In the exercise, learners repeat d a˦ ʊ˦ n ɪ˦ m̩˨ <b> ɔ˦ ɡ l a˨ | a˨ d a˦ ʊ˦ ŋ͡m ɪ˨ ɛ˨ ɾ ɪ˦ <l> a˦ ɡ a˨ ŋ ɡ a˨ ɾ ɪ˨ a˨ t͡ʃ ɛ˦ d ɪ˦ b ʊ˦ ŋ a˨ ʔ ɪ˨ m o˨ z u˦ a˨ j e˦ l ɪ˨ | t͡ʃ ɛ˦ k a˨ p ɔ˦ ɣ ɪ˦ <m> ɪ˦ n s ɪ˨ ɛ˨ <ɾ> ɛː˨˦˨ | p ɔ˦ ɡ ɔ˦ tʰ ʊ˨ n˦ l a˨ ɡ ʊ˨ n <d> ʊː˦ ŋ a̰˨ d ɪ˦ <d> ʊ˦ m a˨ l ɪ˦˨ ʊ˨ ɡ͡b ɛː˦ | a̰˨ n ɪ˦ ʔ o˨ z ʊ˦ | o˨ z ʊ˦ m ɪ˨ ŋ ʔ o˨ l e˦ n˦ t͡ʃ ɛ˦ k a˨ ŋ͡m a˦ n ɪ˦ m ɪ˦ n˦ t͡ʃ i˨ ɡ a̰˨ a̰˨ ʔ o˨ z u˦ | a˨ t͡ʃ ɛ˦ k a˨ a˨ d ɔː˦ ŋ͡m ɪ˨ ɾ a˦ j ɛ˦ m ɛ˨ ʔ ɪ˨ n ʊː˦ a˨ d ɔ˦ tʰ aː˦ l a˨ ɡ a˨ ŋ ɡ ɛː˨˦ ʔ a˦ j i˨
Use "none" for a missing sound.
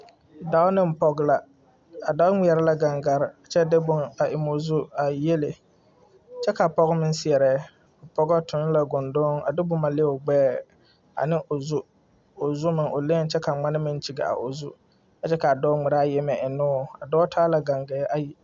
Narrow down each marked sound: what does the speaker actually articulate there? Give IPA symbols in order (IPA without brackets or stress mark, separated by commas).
p, l, m, ɾ, d, b